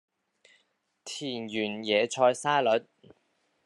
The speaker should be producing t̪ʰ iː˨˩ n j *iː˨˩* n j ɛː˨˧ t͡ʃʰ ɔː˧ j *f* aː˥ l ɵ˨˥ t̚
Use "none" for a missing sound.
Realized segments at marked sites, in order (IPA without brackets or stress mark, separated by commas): yː˨˩, s